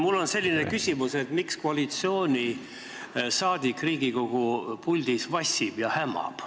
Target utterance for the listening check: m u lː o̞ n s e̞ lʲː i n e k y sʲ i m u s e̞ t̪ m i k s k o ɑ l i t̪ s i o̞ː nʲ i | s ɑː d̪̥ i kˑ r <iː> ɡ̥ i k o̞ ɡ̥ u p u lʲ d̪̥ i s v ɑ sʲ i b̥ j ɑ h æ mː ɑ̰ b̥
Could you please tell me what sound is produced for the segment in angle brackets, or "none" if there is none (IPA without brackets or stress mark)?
iː